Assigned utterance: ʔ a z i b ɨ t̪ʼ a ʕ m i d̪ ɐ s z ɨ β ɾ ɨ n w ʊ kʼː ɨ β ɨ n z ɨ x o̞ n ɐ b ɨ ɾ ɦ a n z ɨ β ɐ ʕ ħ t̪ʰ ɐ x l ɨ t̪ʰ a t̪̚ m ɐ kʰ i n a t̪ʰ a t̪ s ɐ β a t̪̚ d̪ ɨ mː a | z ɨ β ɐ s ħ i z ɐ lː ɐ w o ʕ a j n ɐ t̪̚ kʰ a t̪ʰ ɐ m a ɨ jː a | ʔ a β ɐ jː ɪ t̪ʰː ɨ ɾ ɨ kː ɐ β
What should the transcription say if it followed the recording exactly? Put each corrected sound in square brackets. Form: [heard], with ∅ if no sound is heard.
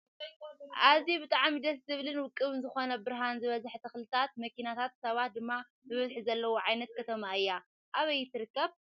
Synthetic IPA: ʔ a z i b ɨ t̪ʼ a ʕ m i d̪ ɐ s z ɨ β [l] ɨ n w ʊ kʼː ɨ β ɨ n z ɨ x o̞ n ɐ b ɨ ɾ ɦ a n z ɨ β ɐ [z] ħ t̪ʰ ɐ x l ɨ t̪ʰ a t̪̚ m ɐ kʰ i n a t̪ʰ a t̪ s ɐ β a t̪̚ d̪ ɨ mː a | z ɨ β ɐ [z] ħ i z ɐ lː ɐ w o ʕ a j n ɐ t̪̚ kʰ [ɐ] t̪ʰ ɐ m a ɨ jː a | ʔ a β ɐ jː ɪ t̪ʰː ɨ ɾ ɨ kː ɐ β